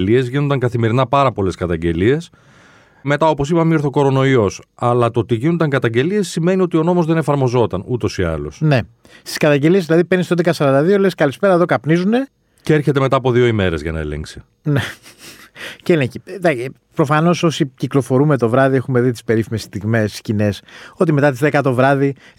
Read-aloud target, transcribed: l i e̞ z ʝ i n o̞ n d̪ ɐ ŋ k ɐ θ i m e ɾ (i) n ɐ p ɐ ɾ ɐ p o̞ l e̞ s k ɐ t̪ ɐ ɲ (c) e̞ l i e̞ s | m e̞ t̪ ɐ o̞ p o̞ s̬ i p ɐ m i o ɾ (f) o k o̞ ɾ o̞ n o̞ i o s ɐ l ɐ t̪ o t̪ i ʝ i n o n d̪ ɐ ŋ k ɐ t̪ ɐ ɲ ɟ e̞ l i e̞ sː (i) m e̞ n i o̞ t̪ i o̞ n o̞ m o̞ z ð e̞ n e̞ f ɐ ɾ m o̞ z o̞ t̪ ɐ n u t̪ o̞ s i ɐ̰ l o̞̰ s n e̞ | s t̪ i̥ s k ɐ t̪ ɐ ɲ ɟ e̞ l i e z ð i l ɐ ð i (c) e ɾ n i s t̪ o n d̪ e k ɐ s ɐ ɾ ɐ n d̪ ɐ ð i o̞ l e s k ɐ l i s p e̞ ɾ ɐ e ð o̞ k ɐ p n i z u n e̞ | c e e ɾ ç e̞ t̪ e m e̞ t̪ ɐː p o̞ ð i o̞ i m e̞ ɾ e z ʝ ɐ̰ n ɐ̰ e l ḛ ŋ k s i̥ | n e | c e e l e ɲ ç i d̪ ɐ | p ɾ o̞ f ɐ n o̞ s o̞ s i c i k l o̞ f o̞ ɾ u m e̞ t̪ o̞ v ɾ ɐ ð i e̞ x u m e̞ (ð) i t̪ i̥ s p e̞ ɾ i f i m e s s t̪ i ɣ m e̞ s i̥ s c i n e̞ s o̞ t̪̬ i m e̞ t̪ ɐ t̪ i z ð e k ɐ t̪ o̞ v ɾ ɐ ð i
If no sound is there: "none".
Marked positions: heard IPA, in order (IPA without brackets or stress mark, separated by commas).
i, ɟ, θ, i, p, ð